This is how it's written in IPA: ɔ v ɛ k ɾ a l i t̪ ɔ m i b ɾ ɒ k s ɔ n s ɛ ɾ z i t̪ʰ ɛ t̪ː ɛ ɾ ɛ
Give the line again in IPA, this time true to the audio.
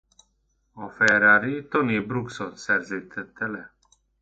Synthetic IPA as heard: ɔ f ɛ ɾ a ɾ i t̪ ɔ n i b ɾ u k s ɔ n s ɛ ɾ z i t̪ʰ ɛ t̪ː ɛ l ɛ